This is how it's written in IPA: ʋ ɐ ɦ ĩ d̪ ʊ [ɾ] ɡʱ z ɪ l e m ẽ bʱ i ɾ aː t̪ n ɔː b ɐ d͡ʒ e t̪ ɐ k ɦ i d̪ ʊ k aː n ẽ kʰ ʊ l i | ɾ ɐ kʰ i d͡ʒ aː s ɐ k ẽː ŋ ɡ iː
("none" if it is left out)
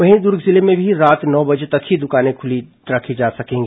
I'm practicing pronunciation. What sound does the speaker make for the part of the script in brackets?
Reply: ɾ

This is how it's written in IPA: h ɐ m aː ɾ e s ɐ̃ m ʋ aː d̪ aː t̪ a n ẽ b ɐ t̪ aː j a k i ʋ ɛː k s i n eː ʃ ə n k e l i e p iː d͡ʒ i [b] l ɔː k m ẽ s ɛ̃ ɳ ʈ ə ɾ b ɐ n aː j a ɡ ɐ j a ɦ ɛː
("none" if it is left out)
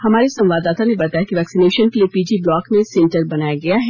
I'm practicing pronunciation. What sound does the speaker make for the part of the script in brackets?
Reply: b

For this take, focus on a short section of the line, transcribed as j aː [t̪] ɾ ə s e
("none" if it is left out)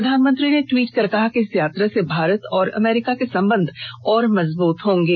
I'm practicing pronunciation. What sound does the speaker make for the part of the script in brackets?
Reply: t̪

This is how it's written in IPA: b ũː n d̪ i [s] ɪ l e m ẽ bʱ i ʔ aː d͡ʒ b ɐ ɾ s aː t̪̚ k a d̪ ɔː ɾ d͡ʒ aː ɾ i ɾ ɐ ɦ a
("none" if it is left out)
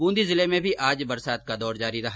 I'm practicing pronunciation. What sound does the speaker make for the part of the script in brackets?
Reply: z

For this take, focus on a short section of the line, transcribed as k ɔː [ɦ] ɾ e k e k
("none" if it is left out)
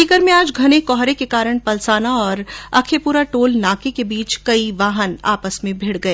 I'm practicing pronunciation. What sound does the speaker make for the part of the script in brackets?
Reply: ɦ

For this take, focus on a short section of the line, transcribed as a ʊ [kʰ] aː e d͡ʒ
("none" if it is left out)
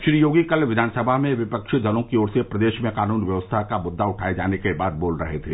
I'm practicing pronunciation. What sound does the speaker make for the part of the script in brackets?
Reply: ʈʰ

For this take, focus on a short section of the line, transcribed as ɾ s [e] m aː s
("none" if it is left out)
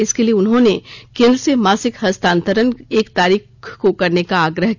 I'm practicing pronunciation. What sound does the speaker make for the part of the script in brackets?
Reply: e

